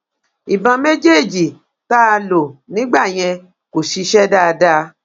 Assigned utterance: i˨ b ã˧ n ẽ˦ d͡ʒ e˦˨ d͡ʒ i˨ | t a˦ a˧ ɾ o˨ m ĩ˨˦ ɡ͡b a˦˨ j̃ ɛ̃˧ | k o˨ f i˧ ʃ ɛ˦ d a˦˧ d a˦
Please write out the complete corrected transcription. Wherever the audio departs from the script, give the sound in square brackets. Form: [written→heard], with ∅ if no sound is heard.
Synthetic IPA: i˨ b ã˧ [n→m] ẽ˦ d͡ʒ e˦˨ d͡ʒ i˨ | t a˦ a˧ [ɾ→l] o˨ [m→n] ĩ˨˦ ɡ͡b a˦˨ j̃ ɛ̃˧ | k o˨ [f→ʃ] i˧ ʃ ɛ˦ d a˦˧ d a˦